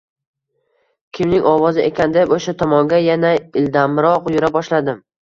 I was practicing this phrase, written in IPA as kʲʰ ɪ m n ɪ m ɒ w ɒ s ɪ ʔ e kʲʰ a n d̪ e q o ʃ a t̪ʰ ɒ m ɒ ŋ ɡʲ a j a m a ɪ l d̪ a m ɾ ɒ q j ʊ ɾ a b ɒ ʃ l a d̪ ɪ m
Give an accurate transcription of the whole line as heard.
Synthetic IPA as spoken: kʲʰ ɪ m n ɪ ŋ ɒ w ɒ z ɪ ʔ e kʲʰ a n d̪ e p o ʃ a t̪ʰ ɒ m ɒ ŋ ɡʲ a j a n a ɪ l d̪ a m ɾ ɒ q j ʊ ɾ a b ɒ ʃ l a d̪ ɪ m

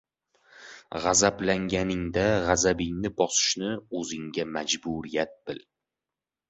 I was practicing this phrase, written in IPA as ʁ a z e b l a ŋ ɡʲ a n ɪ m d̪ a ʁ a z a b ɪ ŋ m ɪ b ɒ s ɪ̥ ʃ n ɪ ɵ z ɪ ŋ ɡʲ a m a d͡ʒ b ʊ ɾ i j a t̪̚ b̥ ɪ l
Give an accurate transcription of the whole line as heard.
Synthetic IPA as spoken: ʁ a z a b l a ŋ ɡʲ a n ɪ ŋ d̪ a ʁ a z a b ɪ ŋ n ɪ b ɒ s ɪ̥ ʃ n ɪ ɵ z ɪ ŋ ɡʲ a m a d͡ʒ b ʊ ɾ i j a t̪̚ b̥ ɪ l

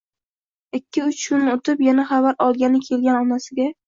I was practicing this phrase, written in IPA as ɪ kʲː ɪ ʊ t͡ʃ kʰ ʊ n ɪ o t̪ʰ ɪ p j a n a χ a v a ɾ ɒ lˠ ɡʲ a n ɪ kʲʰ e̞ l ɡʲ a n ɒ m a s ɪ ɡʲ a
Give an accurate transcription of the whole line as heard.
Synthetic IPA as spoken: ɪ kʲː ɪ ʊ t͡ʃ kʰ ʊ n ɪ o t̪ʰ ɪ p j a n a χ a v a ɾ ɒ lˠ ɡʲ a n ɪ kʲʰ e̞ l ɡʲ a n ɒ n a s ɪ ɡʲ a

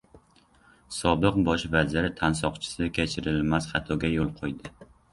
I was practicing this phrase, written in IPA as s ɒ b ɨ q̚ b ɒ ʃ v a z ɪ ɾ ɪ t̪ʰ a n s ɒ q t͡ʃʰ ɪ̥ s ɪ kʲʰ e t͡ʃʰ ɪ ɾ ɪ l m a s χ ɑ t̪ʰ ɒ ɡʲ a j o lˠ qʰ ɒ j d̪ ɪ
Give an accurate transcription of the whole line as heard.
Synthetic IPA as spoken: s ɒ b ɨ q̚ b ɒ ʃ v a z ɪ ɾ ɪ t̪ʰ a n s ɒ q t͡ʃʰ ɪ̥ s ɪ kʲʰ e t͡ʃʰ ɪ ɾ ɪ l m a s χ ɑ t̪ʰ ɒ ɡʲ a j o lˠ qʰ o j d̪ ɪ

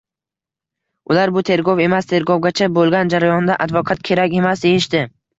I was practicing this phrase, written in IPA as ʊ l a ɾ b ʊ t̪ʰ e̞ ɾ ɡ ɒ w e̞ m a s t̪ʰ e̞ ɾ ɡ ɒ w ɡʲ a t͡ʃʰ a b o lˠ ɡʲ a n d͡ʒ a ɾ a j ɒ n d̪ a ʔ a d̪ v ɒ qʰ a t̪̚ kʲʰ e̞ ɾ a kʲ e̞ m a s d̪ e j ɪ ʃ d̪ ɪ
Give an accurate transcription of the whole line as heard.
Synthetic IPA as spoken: ʊ l a ɾ b ʊ t̪ʰ e̞ ɾ ɡ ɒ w e̞ m a s t̪ʰ e̞ ɾ ɡ ɒ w ɡʲ a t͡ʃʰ a b o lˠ ɡʲ a n d͡ʒ a ɾ a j ɒ n d̪ a ʔ a d̪ v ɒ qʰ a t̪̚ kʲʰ e̞ ɾ a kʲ e̞ m a s d̪ e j ɪ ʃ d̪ ɪ

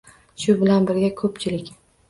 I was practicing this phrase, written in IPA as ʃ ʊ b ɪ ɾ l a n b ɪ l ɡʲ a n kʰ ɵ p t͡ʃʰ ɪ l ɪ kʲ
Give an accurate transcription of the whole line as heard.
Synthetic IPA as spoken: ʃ ʊ b ɪ l a n b ɪ ɾ ɡʲ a kʰ ɵ p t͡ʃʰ ɪ l ɪ kʲ

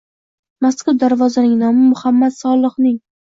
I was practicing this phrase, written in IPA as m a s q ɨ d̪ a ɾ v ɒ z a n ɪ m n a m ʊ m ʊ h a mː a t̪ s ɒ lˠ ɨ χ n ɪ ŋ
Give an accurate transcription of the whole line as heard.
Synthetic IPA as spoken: m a s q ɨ d̪ a ɾ v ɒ z a n ɪ ŋ n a m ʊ m ʊ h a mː a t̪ s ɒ lˠ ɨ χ n ɪ ŋ

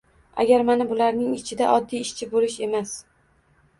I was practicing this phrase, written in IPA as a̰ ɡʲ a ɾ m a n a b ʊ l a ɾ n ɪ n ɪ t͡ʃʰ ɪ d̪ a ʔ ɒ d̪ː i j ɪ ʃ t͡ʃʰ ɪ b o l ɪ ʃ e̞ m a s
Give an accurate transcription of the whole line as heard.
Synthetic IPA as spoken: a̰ ɡʲ a ɾ m a n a b ʊ l a ɾ n ɪ ŋ ɪ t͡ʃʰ ɪ d̪ a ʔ ɒ d̪ː i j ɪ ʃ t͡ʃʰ ɪ b o l ɪ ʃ e̞ m a s

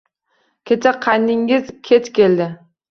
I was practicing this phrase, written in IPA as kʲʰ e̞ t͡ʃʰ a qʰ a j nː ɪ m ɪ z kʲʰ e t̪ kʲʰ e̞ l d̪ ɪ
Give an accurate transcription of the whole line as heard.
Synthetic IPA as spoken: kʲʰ e̞ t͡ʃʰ a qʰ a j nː ɪ ŋ ɪ z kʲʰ e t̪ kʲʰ e̞ l d̪ ɪ

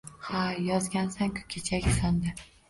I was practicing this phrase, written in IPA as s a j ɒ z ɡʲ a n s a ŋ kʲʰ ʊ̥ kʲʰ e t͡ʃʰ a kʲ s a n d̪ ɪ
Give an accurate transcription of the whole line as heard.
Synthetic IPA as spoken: h a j ɒ z ɡʲ a n s a ŋ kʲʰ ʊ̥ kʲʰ e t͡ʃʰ a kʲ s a n d̪ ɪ

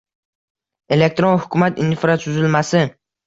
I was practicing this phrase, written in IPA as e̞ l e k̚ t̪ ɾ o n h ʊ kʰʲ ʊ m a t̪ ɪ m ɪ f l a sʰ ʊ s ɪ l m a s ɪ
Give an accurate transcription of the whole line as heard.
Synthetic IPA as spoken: e̞ l e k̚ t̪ ɾ o n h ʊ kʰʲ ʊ m a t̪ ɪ n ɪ f ɾ a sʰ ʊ z ɪ l m a s ɪ

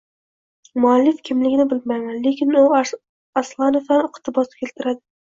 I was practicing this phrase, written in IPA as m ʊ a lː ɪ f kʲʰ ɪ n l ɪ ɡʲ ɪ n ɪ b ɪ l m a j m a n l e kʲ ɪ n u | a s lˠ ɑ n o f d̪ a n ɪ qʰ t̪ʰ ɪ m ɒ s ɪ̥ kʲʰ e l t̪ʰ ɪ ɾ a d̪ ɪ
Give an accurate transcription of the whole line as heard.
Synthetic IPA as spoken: m ʊ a lː ɪ f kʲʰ ɪ m l ɪ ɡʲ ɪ n ɪ b ɪ l m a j m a n l e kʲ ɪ n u | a s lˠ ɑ n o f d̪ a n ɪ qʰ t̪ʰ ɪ b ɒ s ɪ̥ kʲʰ e l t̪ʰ ɪ ɾ a d̪ ɪ

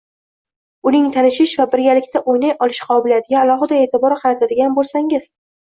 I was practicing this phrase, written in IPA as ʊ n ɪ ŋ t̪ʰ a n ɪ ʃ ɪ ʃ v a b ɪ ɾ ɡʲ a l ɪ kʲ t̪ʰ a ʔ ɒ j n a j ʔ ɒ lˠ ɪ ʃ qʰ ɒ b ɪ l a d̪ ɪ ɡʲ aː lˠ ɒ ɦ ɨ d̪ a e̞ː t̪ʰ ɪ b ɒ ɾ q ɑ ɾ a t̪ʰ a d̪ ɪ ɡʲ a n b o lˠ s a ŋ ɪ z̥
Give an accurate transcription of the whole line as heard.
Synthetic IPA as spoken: ʊ n ɪ ŋ t̪ʰ a n ɪ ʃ ɪ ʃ v a b ɪ ɾ ɡʲ a l ɪ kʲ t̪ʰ a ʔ o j n a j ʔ ɒ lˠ ɪ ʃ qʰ ɒ b ɪ l a d̪ ɪ ɡʲ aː lˠ ɒ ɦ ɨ d̪ a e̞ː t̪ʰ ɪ b ɒ ɾ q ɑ ɾ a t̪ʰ a d̪ ɪ ɡʲ a n b o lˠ s a ŋ ɪ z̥

